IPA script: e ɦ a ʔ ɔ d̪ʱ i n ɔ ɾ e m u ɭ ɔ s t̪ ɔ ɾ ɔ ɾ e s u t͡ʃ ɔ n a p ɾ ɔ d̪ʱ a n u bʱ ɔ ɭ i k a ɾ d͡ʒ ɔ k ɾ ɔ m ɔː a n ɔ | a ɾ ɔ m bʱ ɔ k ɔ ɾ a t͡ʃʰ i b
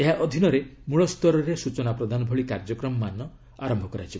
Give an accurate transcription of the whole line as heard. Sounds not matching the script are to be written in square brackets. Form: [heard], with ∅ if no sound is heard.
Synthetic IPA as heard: e ɦ a ʔ ɔ d̪ʱ i n ɔ ɾ e m u ɭ ɔ s t̪ ɔ ɾ ɔ ɾ e s u t͡ʃ ɔ n a p ɾ ɔ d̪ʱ a n [ɔ] bʱ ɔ ɭ i k a ɾ d͡ʒ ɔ k ɾ ɔ m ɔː a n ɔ | a ɾ ɔ m bʱ ɔ k ɔ ɾ a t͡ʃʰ i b

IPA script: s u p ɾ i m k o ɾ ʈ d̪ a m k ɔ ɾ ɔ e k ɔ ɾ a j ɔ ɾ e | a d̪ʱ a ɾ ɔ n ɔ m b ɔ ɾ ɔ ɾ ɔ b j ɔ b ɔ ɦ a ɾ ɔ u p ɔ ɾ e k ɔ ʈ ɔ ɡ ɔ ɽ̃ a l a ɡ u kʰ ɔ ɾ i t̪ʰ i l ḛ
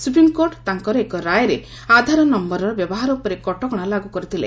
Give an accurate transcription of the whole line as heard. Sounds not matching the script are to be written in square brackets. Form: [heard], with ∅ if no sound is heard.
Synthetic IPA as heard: s u p ɾ i m k o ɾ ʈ [t̪] a [ŋ] k ɔ ɾ ɔ e k ɔ ɾ a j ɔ ɾ e | a d̪ʱ a ɾ ɔ n ɔ m b ɔ ɾ ɔ ɾ ɔ b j ɔ b ɔ ɦ a ɾ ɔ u p ɔ ɾ e k ɔ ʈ ɔ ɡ ɔ ɽ̃ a l a ɡ u [k] ɔ ɾ i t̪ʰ i l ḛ

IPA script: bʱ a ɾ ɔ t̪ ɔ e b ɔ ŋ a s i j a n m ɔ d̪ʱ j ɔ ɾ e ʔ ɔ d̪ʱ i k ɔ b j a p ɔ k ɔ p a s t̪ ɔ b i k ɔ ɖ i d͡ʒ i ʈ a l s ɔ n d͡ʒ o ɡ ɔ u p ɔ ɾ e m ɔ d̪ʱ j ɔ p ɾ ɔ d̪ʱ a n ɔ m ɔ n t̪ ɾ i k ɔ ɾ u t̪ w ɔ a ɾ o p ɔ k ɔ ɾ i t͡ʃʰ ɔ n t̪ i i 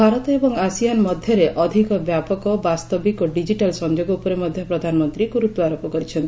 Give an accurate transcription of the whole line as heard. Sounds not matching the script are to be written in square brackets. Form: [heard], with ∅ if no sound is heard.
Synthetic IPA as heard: bʱ a ɾ ɔ t̪ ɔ e b ɔ ŋ a s i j a n m ɔ d̪ʱ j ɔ ɾ e ʔ ɔ d̪ʱ i k ɔ b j a p ɔ k ɔ [b] a s t̪ ɔ b i k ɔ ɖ i d͡ʒ i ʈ a l s ɔ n d͡ʒ o ɡ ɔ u p ɔ ɾ e m ɔ d̪ʱ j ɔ p ɾ ɔ d̪ʱ a n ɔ m ɔ n t̪ ɾ i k [u] ɾ u t̪ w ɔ a ɾ o p ɔ k ɔ ɾ i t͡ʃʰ ɔ n t̪ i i

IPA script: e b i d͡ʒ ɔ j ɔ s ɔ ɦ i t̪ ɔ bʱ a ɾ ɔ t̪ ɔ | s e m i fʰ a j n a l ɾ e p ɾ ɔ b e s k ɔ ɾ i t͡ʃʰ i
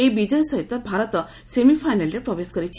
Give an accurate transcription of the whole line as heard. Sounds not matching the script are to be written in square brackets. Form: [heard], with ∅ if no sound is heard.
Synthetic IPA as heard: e b i d͡ʒ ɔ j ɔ s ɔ ɦ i t̪ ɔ bʱ a ɾ ɔ t̪ ɔ | s e m i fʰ a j n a l ɾ e p ɾ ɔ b e s k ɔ ɾ i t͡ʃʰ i

